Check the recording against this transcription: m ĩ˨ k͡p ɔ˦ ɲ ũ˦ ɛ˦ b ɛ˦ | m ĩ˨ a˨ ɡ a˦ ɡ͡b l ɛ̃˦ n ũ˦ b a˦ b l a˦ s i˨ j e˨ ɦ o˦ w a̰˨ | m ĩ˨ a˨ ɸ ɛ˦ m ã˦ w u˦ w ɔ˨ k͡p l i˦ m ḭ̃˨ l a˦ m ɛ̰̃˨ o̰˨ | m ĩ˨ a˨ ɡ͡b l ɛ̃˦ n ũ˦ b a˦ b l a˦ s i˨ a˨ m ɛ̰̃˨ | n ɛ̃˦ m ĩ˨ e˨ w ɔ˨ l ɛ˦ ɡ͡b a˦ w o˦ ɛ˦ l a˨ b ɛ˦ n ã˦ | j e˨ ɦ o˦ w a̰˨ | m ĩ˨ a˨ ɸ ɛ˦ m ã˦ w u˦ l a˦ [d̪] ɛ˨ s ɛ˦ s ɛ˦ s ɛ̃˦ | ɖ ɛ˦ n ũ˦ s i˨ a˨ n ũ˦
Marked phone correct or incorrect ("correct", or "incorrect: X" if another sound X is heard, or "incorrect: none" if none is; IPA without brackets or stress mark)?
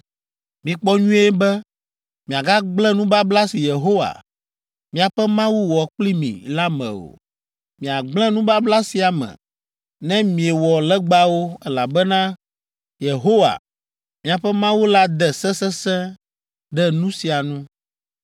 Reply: correct